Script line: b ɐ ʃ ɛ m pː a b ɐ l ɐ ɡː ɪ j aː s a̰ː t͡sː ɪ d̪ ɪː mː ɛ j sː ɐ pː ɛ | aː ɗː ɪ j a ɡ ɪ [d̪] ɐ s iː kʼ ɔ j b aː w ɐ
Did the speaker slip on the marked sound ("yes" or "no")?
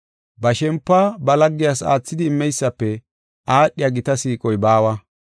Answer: yes